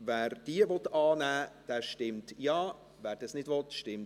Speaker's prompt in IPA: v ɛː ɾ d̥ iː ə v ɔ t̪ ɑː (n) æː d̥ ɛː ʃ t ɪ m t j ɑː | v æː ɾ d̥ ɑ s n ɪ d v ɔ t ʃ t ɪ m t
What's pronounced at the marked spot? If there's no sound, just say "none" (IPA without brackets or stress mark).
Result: n